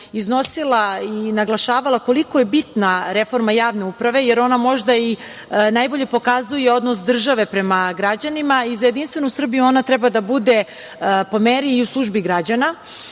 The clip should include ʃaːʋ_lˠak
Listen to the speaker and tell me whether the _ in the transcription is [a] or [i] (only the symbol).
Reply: a